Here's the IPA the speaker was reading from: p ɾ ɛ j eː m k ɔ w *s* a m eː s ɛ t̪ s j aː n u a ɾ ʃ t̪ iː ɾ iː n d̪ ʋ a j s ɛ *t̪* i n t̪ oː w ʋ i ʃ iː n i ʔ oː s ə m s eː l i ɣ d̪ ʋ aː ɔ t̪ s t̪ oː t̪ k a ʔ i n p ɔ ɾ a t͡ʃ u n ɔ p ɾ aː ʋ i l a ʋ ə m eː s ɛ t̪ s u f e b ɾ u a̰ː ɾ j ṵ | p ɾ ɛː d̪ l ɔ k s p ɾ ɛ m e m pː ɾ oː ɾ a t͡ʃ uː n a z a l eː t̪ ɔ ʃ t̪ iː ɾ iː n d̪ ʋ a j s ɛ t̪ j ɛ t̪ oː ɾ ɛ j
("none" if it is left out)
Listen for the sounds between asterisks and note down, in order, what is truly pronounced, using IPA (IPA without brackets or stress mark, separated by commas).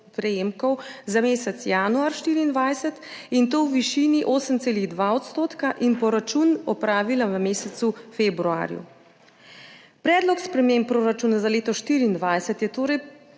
z, t̪